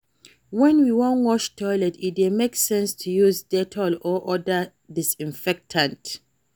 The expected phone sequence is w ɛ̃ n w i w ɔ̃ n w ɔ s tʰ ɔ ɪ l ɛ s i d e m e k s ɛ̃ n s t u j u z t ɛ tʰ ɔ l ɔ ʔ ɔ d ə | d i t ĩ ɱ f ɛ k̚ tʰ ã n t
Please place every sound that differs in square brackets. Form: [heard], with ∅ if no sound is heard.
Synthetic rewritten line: w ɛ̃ n w i w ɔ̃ n w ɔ [ʃ] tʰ ɔ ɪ l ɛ [t] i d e m e k s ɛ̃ n s [tʰ] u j u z [d] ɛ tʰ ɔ l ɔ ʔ ɔ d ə | d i [s] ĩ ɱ f ɛ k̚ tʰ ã n t

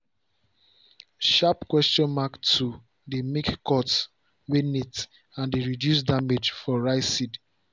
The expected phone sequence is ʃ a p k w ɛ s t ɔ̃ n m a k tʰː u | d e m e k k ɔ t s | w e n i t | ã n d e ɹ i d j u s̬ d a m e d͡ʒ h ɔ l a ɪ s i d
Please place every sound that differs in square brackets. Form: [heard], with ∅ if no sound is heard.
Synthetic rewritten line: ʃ a p k w ɛ s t ɔ̃ n m a k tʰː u | d e m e k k ɔ t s | w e n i t | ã n d e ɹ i d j u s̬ d a m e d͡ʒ [f] ɔ [ɹ] a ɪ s i d

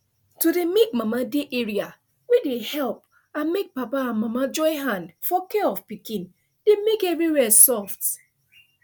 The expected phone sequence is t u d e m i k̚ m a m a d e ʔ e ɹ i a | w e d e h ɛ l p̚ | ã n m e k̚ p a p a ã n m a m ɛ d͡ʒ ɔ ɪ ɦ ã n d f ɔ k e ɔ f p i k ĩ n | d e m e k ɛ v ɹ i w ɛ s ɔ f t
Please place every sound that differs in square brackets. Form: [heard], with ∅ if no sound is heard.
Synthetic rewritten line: t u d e m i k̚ m a m a d e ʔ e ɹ i a | w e d e h ɛ l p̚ | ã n m e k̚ p a p a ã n m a m [a] d͡ʒ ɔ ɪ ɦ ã n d f ɔ k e ɔ f p i k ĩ n | d e m e k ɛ v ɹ i w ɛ s ɔ f t

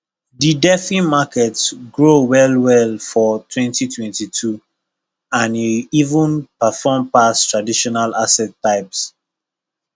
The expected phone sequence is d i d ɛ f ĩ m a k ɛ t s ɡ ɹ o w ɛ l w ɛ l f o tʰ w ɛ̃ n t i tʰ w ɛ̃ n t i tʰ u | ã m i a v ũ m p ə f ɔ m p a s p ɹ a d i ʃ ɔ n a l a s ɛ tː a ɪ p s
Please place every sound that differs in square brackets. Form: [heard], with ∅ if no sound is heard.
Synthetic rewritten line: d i d ɛ f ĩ m a k ɛ t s ɡ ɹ o w ɛ l w ɛ l f [ɔ] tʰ w ɛ̃ n t i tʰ w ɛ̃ n t i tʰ u | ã [n] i [i] v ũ [n] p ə f ɔ m p a s [t] ɹ a d i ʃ ɔ n a l a s ɛ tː a ɪ p s

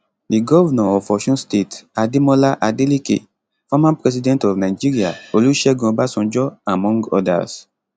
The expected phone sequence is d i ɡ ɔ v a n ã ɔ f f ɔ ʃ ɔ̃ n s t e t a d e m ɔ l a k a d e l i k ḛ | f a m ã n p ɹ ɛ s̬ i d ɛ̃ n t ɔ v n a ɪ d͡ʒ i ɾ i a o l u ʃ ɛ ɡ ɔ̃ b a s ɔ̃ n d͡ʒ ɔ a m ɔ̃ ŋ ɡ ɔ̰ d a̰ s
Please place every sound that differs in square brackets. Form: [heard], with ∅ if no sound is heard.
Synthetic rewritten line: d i ɡ ɔ v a n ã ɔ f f ɔ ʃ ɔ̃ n s t e t a d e m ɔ l a [ʔ] a d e l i k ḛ | f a m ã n p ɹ ɛ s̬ i d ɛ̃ n t ɔ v n a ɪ d͡ʒ i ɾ i a o l u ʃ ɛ ɡ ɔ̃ b a s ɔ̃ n d͡ʒ ɔ a m ɔ̃ ŋ ɡ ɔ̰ d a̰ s

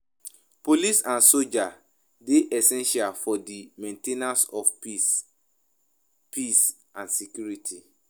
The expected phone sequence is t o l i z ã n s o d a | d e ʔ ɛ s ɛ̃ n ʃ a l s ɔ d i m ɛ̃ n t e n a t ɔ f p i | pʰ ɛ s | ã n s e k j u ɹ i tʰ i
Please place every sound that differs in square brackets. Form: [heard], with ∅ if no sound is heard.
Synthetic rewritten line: [p] o l i [s] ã n s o [d͡ʒ] a | d e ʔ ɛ s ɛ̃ n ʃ a l [f] ɔ d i m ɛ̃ n t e n a [s] ɔ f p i | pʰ [i] s | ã n s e k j u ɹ i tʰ i

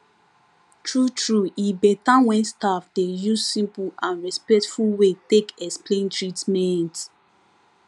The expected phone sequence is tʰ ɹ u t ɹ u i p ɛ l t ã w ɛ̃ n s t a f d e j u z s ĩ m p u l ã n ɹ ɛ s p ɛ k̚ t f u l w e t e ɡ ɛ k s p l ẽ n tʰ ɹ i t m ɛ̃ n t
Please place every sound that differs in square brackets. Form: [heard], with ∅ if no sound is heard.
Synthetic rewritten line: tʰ ɹ u t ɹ u i [b] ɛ [∅] t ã w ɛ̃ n s t a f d e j u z s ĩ m p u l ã n ɹ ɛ s p ɛ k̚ t f u l w e t e [k] ɛ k s p l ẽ n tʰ ɹ i t m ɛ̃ n t

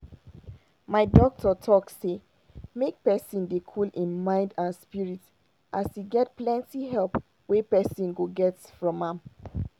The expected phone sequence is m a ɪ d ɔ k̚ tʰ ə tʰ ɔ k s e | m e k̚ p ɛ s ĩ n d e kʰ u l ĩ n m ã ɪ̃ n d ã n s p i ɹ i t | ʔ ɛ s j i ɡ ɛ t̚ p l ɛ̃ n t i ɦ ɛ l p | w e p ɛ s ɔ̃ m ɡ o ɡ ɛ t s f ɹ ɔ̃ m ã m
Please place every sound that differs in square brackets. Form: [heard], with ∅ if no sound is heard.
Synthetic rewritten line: m a ɪ d ɔ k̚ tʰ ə tʰ ɔ k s e | m e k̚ p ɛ s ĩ n d e kʰ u l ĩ n m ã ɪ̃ n d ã n s p i ɹ i t | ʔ [a] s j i ɡ ɛ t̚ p l ɛ̃ n t i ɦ ɛ l p | w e p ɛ s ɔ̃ [n] ɡ o ɡ ɛ t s f ɹ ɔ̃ m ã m

